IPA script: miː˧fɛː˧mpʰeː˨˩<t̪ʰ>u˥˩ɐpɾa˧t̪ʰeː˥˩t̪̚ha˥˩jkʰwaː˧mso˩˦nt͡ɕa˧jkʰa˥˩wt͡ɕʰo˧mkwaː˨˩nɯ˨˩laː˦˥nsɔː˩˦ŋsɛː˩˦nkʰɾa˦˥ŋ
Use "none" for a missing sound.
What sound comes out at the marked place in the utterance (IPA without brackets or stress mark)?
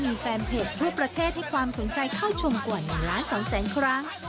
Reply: t̪ʰ